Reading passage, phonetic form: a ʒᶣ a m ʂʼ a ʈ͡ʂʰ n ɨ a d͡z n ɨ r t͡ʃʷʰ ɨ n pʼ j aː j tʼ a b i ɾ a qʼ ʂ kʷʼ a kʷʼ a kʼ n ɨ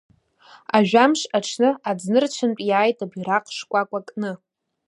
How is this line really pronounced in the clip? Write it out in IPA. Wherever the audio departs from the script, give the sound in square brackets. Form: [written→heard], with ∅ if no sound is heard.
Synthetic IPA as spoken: a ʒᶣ a m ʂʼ a ʈ͡ʂʰ n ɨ a d͡z n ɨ r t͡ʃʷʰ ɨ n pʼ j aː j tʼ a b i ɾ a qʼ ʂ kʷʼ a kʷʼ a kʼ n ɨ